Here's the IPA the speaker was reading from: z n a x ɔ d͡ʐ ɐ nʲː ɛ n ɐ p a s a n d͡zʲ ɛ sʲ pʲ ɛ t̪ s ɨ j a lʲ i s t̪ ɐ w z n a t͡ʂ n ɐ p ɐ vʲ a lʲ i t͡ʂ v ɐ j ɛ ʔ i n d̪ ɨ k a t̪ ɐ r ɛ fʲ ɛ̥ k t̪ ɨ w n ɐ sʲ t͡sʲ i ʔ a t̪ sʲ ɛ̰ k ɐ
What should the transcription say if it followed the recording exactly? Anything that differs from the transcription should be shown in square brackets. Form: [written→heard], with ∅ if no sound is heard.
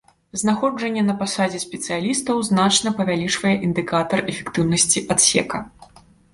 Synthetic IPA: z n a x ɔ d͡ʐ ɐ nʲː ɛ n ɐ p a s a [n→∅] d͡zʲ ɛ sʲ pʲ ɛ t̪ s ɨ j a lʲ i s t̪ ɐ w z n a t͡ʂ n ɐ p ɐ vʲ a lʲ i t͡ʂ v ɐ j ɛ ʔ i n d̪ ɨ k a t̪ ɐ r ɛ fʲ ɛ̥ k t̪ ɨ w n ɐ sʲ t͡sʲ i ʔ a t̪ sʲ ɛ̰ k ɐ